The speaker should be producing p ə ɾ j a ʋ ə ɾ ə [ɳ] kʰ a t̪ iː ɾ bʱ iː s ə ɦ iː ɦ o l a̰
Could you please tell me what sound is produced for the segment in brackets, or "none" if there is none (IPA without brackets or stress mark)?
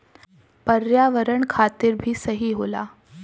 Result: ɳ